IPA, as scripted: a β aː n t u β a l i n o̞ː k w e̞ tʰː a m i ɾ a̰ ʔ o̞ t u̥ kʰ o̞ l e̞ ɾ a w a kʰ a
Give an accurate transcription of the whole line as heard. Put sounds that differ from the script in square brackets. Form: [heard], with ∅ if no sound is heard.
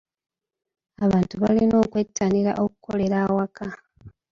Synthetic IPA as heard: a β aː n t u β a l i n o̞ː k w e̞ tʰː a [n] i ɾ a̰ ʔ o̞ [k] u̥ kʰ o̞ l e̞ ɾ a w a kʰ a